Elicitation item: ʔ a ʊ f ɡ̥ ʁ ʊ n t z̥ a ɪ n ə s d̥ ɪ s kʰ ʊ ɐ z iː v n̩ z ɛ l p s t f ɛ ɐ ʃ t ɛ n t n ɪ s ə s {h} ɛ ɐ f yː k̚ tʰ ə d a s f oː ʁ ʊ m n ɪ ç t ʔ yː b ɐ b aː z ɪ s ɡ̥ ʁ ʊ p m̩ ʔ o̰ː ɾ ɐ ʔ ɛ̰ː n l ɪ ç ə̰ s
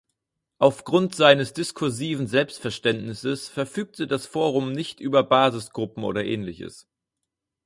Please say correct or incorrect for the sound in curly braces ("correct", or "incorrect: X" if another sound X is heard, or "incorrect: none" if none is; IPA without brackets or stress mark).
incorrect: f